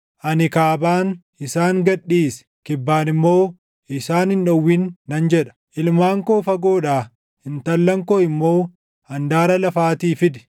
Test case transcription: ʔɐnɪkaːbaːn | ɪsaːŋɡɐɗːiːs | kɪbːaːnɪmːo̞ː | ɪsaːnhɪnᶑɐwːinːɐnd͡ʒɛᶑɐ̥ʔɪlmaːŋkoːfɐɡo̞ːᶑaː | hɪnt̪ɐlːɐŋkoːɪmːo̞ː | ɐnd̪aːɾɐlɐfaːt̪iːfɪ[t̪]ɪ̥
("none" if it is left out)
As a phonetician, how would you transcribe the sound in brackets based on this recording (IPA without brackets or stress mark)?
d̪